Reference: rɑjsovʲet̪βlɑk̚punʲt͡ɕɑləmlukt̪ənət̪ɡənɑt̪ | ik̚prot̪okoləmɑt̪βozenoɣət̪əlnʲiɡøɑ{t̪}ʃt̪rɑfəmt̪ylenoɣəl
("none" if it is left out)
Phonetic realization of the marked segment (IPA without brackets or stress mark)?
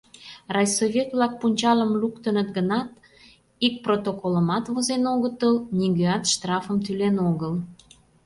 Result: t̪